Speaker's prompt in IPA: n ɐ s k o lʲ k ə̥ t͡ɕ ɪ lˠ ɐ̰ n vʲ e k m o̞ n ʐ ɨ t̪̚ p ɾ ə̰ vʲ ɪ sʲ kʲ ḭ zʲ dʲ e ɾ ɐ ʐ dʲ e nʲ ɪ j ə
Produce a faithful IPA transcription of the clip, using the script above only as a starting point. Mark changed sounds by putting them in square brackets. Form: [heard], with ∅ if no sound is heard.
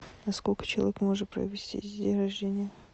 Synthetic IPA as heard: n ɐ s k o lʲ k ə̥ t͡ɕ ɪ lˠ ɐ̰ [∅] vʲ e k m o̞ [∅] ʐ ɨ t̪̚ p ɾ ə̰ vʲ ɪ sʲ [tʲ] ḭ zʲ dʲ e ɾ ɐ ʐ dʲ e nʲ ɪ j ə